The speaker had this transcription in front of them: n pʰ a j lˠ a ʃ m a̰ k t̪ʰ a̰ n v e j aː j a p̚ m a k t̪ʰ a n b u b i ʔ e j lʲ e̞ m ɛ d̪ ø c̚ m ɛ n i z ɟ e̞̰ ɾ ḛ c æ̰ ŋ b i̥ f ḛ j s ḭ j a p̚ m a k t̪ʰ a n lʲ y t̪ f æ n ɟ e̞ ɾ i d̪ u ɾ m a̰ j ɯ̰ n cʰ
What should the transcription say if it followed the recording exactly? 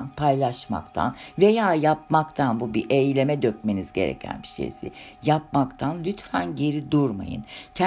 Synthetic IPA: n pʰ a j lˠ a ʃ m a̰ k t̪ʰ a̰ n v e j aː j a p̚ m a k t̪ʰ a n b u b i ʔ e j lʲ e̞ m ɛ d̪ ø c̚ m e n i z ɟ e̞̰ ɾ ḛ cʰ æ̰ n b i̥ ʃ ḛ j s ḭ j a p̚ m a k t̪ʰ a n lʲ y t̪ f æ n ɟ e̞ ɾ i d̪ u ɾ m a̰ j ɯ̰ n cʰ